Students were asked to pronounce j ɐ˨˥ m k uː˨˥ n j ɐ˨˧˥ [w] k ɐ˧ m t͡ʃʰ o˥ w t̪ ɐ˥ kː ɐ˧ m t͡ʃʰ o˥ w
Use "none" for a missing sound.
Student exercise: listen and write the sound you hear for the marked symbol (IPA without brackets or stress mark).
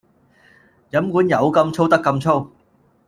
w